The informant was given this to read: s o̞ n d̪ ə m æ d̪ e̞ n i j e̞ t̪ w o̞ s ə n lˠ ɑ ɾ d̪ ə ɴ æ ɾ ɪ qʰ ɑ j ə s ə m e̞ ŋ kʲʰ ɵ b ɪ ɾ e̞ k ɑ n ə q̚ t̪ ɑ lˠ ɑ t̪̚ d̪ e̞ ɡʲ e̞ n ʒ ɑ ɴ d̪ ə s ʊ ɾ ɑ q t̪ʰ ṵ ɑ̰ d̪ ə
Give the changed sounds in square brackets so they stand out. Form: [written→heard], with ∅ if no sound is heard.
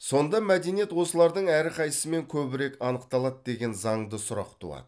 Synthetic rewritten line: s o̞ n d̪ [ə→ɑ] m æ d̪ e̞ n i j e̞ t̪ w o̞ s ə [n→∅] lˠ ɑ ɾ d̪ ə ɴ æ ɾ ɪ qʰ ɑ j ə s ə m e̞ ŋ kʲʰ ɵ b ɪ ɾ e̞ k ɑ n ə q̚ t̪ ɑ lˠ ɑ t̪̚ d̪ e̞ ɡʲ e̞ n [ʒ→z] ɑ ɴ d̪ ə s ʊ ɾ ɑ q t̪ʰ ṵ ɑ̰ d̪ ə

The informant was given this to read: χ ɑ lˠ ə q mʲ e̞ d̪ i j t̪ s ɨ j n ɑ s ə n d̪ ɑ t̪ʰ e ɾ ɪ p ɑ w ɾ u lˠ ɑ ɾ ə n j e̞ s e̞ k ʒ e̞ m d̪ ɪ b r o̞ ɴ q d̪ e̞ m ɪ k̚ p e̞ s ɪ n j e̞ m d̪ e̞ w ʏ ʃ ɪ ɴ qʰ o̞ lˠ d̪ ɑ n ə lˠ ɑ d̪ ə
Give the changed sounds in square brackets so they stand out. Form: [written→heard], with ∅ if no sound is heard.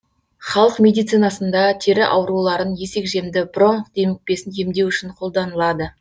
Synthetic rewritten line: χ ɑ lˠ ə q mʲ e̞ d̪ i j t̪ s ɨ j n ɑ s ə n d̪ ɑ t̪ʰ e ɾ ɪ [p→ʔ] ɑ w ɾ u lˠ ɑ ɾ ə n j e̞ s e̞ k ʒ e̞ m d̪ ɪ b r o̞ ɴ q d̪ e̞ m ɪ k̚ p e̞ s ɪ n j e̞ m d̪ e̞ w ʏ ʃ ɪ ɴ qʰ o̞ lˠ d̪ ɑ n ə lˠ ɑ d̪ ə

